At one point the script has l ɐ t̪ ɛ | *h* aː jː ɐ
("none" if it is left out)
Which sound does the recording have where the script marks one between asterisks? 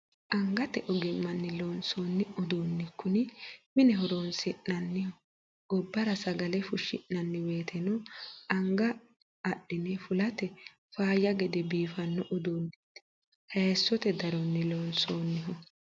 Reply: f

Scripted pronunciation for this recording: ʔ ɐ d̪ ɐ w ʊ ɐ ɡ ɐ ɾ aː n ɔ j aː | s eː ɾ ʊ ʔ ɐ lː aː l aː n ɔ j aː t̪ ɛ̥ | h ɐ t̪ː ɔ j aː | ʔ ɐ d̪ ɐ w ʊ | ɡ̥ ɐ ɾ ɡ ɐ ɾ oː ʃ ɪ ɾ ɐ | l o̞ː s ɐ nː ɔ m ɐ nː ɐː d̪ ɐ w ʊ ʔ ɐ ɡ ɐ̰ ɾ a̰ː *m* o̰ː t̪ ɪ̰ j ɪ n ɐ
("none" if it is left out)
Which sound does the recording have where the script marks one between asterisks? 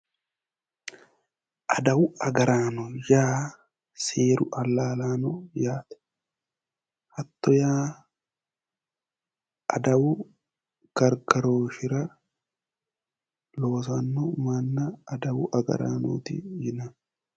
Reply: n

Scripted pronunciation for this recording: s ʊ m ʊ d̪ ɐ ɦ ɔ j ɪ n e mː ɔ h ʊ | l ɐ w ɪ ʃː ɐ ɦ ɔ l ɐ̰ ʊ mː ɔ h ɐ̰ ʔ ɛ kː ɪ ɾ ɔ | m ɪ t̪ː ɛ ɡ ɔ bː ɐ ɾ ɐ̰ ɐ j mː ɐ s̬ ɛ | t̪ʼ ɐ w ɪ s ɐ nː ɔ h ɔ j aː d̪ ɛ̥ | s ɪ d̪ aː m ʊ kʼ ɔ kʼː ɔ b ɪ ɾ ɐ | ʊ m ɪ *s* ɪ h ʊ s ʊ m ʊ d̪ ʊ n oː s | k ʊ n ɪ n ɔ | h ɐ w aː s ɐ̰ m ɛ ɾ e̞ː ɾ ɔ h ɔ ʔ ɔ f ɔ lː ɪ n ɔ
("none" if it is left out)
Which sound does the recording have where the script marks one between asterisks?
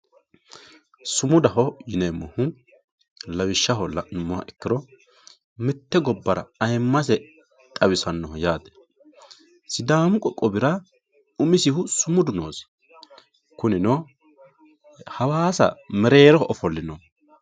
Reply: s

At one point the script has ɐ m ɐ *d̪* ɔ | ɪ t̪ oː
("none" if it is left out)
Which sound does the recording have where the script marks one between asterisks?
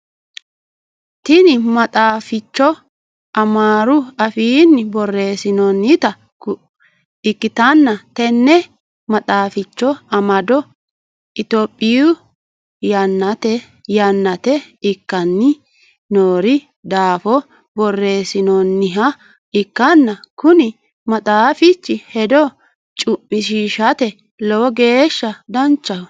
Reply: d̪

